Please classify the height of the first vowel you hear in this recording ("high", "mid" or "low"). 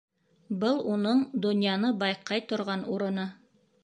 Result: mid